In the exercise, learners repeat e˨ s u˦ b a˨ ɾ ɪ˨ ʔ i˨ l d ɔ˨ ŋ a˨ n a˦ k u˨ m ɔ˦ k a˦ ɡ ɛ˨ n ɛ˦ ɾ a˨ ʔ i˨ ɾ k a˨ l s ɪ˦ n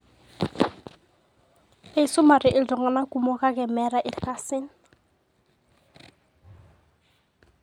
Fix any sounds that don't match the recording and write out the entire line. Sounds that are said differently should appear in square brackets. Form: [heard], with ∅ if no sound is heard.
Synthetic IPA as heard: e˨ s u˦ [m] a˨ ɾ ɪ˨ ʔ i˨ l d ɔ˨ ŋ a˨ n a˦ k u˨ m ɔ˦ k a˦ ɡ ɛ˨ [m] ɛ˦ ɾ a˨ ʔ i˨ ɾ k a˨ [∅] s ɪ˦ n